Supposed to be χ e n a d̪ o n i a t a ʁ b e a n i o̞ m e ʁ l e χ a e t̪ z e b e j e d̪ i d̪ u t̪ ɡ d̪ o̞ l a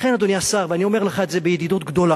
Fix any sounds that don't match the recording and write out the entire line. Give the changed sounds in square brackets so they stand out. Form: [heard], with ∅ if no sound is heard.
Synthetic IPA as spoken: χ e n a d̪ o n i a [s] a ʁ [v] e a n i o̞ m e ʁ l e χ a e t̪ z e b e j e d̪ i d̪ u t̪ ɡ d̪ o̞ l a